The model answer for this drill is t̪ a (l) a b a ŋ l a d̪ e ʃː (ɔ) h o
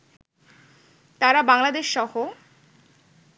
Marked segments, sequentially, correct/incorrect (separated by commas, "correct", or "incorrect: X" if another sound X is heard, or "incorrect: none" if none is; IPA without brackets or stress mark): incorrect: ɾ, correct